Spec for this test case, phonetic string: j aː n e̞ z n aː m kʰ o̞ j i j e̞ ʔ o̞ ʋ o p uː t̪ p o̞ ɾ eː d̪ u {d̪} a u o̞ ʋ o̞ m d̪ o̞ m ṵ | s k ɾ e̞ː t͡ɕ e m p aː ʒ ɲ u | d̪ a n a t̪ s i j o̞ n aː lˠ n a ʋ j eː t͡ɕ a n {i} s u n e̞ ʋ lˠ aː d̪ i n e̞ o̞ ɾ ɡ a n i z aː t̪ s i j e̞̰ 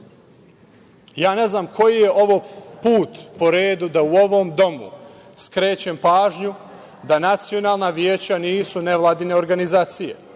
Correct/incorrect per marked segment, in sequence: correct, incorrect

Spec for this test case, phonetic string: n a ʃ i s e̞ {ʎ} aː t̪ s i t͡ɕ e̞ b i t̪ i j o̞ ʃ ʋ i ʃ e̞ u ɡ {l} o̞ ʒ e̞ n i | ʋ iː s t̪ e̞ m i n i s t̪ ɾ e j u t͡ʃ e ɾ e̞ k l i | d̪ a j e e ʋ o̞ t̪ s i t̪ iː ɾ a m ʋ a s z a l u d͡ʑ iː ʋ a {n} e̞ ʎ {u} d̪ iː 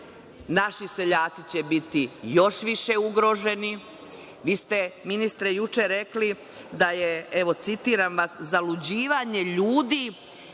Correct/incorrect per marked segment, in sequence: correct, incorrect, incorrect, incorrect

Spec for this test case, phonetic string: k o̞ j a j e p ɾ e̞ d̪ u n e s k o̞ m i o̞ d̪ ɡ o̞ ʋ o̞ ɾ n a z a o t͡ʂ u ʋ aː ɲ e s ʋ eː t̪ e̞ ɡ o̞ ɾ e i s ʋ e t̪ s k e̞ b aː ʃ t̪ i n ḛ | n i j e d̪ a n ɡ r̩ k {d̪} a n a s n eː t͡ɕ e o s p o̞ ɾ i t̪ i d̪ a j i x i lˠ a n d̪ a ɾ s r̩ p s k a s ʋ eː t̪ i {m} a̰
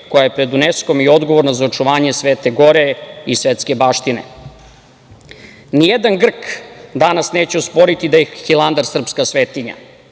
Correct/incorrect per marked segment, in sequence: correct, incorrect

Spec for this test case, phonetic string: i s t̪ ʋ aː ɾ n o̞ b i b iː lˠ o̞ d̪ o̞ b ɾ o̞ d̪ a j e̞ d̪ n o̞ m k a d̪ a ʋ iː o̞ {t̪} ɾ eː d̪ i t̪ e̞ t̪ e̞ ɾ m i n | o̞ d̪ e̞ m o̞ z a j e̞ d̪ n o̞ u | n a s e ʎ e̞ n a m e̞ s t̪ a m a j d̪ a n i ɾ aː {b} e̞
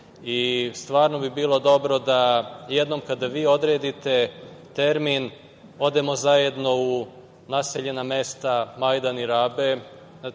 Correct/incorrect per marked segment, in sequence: incorrect, correct

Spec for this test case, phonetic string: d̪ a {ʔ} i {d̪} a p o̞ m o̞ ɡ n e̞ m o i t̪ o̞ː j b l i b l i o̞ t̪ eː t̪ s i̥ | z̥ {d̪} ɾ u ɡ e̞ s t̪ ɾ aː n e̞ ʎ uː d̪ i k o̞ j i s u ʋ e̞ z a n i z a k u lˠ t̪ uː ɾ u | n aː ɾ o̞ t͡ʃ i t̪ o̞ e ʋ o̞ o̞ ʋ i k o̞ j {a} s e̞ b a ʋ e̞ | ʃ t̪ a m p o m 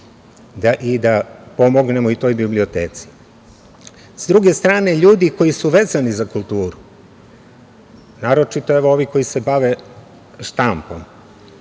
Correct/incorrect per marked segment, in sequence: correct, correct, correct, incorrect

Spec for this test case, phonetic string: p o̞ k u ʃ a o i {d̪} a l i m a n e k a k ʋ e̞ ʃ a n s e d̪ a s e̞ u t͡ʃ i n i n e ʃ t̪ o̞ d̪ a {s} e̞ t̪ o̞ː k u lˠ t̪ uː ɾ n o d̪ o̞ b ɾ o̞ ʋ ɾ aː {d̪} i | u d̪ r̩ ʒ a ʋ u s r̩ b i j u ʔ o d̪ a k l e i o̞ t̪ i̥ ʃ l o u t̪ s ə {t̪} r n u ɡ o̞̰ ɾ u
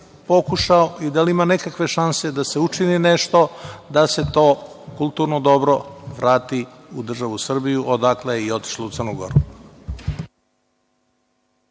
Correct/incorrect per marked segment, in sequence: correct, correct, incorrect, incorrect

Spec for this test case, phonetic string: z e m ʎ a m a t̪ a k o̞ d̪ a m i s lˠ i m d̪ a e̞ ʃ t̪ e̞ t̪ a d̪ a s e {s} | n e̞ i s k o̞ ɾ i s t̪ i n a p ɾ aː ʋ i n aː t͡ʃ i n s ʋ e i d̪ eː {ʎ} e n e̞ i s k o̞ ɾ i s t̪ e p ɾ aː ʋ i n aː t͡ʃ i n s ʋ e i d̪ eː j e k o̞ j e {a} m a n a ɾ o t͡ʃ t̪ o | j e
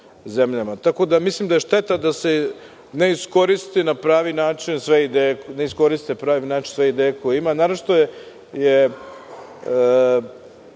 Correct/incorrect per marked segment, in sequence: incorrect, incorrect, incorrect

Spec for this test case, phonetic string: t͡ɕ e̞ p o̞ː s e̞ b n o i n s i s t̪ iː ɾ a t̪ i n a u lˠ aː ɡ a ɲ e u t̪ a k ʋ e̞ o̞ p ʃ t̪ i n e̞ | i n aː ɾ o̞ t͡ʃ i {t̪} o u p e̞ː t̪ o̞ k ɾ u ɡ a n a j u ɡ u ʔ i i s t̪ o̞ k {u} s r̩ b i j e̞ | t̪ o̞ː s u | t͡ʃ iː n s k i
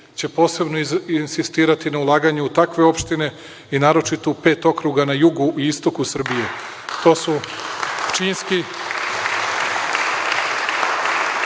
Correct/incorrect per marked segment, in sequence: correct, correct

